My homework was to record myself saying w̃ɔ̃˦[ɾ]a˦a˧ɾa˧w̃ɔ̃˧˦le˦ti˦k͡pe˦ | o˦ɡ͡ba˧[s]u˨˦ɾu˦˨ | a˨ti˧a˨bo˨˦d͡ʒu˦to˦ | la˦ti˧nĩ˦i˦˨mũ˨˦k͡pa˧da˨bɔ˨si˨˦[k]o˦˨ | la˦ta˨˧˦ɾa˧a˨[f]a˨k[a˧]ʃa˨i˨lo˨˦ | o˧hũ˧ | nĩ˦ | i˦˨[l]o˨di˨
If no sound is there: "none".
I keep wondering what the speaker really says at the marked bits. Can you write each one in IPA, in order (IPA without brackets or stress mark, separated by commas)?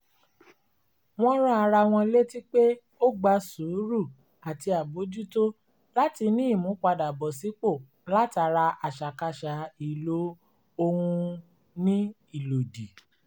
ɾ, s, k͡p, ʃ, a˧, l